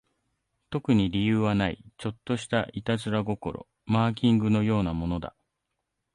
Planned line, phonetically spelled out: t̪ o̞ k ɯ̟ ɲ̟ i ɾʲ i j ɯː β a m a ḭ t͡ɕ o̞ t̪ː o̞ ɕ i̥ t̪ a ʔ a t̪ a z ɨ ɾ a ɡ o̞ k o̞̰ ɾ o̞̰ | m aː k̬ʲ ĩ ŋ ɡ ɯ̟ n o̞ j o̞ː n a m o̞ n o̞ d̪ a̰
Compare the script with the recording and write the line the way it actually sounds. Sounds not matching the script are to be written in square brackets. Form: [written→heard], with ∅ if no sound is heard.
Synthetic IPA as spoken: t̪ o̞ k ɯ̟ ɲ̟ i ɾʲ i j ɯː β a [m→n] a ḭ t͡ɕ o̞ t̪ː o̞ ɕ i̥ t̪ a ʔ [a→i] t̪ a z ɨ ɾ a ɡ o̞ k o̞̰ ɾ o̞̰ | m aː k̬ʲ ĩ ŋ ɡ ɯ̟ n o̞ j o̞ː n a m o̞ n o̞ d̪ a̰